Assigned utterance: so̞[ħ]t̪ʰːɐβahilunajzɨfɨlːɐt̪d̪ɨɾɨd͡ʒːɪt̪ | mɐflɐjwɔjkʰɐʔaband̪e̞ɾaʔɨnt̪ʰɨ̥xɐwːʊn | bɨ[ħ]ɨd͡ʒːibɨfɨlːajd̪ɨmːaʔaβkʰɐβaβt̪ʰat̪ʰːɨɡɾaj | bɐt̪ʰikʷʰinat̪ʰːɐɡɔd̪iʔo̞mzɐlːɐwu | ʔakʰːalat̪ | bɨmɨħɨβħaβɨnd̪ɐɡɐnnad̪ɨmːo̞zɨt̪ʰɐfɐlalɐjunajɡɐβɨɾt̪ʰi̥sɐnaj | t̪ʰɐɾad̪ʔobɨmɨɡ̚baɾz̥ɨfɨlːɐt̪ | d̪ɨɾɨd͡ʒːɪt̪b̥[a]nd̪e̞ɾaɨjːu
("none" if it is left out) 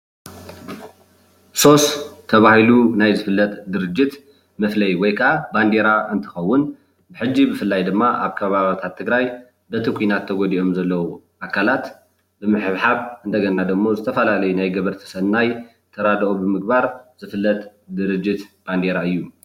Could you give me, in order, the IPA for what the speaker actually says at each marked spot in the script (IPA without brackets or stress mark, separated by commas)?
s, ħ, a